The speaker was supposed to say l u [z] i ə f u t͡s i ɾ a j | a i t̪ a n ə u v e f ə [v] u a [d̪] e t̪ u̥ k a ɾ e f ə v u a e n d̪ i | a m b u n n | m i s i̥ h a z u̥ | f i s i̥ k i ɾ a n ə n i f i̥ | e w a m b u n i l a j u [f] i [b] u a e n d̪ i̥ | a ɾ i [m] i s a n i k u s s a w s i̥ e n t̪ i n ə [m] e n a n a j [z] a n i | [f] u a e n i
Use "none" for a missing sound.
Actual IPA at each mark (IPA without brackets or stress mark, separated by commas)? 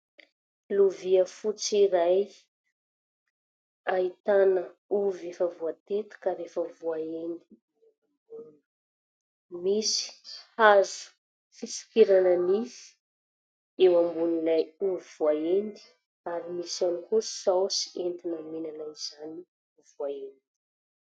v, v, t̪, v, v, m, m, z, v